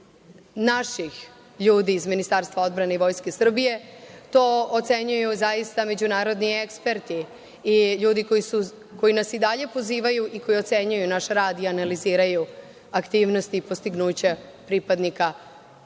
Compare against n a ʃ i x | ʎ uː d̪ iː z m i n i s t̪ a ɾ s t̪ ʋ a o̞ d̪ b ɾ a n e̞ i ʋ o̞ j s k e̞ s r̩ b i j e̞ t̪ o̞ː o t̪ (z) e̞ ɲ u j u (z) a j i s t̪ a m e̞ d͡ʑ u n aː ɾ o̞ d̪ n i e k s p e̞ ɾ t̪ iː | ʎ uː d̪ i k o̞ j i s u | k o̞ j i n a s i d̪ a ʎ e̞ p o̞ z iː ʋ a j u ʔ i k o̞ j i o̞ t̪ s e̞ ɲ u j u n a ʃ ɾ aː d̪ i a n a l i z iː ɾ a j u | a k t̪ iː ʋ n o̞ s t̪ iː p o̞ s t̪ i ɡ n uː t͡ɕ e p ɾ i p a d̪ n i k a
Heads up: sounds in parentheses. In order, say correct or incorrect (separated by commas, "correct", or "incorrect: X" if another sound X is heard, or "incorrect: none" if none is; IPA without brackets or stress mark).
incorrect: s, correct